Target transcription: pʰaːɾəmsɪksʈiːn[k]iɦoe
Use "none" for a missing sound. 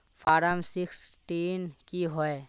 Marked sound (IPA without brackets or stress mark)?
k